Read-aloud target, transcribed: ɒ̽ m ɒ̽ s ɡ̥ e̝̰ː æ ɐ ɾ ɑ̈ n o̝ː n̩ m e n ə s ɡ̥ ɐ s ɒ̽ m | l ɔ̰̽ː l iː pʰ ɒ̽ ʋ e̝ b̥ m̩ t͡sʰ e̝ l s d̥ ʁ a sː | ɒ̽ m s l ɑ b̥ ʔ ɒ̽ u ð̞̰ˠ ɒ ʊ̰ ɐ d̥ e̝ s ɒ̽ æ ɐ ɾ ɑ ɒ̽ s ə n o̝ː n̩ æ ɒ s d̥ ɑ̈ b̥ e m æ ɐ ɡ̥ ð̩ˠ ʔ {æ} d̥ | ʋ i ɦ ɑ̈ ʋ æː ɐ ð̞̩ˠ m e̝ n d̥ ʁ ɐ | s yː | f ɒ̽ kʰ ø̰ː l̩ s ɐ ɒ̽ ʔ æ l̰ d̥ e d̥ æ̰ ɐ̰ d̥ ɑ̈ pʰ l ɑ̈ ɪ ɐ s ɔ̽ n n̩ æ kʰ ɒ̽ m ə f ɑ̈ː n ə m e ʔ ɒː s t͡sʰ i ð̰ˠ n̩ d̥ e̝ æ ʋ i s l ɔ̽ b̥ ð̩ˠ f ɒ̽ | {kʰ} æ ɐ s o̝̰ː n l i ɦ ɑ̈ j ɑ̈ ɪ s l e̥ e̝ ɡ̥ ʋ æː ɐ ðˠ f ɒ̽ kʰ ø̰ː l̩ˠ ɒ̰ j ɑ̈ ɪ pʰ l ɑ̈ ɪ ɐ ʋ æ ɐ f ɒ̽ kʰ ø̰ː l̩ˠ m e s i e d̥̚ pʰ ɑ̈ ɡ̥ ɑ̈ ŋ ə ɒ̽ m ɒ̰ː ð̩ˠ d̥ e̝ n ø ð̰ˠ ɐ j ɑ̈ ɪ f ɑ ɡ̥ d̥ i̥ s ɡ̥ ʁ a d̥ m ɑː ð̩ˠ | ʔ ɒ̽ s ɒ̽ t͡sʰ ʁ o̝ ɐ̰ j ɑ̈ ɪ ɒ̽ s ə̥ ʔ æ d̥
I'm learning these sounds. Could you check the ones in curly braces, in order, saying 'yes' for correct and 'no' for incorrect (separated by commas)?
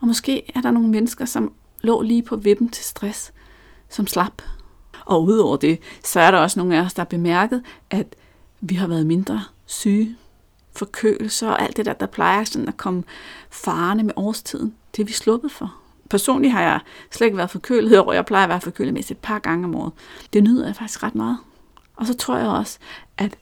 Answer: yes, no